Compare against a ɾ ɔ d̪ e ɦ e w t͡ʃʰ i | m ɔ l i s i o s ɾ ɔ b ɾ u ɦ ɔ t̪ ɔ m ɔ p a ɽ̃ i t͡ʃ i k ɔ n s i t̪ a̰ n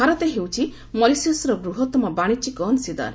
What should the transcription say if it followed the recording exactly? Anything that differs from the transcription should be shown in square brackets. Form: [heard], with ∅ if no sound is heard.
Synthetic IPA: a ɾ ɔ [t̪] e ɦ e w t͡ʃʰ i | m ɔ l i s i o s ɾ ɔ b ɾ u ɦ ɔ t̪ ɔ m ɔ [b] a ɽ̃ i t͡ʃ i k ɔ n s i [d̪] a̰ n